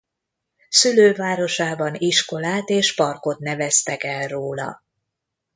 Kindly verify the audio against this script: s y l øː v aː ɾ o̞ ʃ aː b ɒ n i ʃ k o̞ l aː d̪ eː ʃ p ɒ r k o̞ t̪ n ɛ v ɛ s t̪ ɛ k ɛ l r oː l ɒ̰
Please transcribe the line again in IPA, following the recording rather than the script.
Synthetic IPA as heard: s y l øː v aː ɾ o̞ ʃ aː b ɒ n i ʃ k o̞ l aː t̪ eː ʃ p ɒ r k o̞ t̪ n ɛ v ɛ s t̪ ɛ k ɛ l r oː l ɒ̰